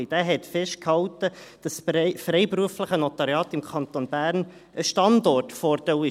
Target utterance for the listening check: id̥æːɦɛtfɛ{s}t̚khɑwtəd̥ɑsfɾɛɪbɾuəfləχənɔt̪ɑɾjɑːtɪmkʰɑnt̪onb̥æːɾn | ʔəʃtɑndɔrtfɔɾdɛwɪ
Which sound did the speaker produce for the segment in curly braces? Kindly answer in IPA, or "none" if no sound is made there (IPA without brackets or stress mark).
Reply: ʃ